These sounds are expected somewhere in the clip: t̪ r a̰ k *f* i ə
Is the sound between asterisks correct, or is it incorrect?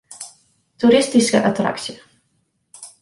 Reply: incorrect